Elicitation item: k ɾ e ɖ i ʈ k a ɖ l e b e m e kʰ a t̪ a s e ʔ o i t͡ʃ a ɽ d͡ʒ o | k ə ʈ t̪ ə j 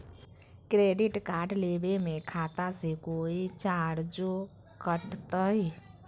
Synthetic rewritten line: k ɾ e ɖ i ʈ k a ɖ l e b e m e kʰ a t̪ a s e k o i t͡ʃ a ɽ d͡ʒ o | k ə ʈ t̪ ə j